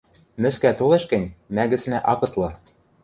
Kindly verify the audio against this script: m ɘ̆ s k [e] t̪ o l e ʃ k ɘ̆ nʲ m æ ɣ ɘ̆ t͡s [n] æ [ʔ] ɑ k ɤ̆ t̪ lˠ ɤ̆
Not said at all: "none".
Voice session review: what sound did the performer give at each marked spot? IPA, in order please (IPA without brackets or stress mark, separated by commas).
æ, n, ʔ